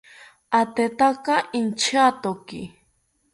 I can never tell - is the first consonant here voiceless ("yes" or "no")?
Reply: yes